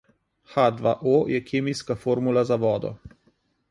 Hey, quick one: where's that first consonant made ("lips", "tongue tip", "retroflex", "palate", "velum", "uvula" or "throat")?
velum